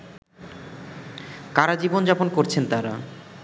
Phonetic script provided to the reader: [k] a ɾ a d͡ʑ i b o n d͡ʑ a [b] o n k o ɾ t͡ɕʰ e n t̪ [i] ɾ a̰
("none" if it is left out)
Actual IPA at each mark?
k, p, a

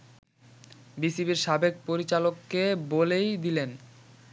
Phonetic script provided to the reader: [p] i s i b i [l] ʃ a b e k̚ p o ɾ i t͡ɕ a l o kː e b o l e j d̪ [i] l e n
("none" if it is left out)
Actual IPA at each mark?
b, ɾ, i

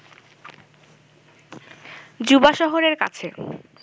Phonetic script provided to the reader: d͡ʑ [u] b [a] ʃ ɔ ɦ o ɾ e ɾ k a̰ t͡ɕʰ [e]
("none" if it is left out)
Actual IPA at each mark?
u, a, e

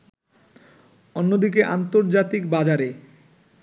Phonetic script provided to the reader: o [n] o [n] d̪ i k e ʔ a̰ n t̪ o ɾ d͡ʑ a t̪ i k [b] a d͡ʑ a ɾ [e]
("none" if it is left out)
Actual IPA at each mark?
nː, none, b, e

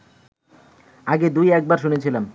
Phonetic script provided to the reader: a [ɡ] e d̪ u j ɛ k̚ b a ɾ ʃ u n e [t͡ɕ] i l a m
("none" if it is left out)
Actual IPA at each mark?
ɡ, t͡ɕʰ

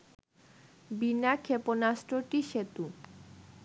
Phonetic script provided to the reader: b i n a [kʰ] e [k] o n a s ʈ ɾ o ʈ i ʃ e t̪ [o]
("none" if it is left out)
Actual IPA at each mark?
kʰ, p, u

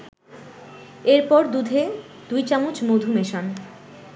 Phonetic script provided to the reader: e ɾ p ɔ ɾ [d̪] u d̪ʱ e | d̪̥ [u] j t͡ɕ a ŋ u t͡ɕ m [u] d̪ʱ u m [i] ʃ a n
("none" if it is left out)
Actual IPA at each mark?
d̪, u, o, e

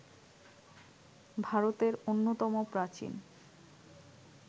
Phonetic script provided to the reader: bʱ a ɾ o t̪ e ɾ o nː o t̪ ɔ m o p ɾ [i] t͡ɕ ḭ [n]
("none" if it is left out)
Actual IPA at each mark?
a, n

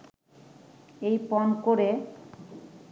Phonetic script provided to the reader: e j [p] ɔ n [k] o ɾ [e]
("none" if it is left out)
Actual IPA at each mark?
p, k, e

